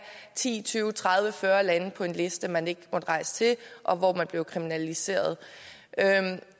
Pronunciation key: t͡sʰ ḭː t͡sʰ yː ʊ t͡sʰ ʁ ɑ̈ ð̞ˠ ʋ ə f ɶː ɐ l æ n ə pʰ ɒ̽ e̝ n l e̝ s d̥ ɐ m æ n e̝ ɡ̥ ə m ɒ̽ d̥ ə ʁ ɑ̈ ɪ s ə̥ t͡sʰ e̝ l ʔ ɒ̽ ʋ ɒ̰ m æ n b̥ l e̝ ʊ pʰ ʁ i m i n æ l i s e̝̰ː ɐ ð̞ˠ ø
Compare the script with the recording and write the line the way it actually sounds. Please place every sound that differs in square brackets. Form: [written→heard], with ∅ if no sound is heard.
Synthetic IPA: t͡sʰ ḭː t͡sʰ yː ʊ t͡sʰ ʁ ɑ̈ ð̞ˠ ʋ ə f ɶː ɐ l æ n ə pʰ ɒ̽ e̝ n l e̝ s d̥ [ɐ→ə] m æ n e̝ ɡ̥ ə m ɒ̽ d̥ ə ʁ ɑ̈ ɪ s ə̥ t͡sʰ e̝ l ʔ ɒ̽ ʋ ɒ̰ m æ n b̥ l e̝ ʊ [pʰ→kʰ] ʁ i m i n æ l i s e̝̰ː ɐ ð̞ˠ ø

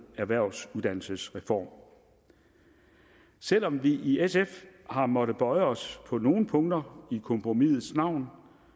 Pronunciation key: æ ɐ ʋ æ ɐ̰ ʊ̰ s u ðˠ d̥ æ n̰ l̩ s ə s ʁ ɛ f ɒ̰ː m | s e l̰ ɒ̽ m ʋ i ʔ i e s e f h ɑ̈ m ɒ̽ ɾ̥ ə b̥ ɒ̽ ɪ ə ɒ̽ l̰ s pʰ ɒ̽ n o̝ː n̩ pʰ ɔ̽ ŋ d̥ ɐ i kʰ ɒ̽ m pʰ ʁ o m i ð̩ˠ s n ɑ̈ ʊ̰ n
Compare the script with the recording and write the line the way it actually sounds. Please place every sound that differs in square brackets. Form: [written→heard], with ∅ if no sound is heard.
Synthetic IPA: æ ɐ ʋ æ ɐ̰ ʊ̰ s u ðˠ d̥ æ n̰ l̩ s ə s ʁ ɛ f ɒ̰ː m | s e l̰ ɒ̽ m ʋ i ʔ i e s e f h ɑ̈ m ɒ̽ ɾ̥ ə b̥ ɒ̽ ɪ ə ɒ̽ [l̰→∅] s pʰ ɒ̽ n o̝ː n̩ pʰ ɔ̽ ŋ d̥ ɐ i kʰ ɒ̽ m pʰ ʁ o m i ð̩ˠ s n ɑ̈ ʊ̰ n

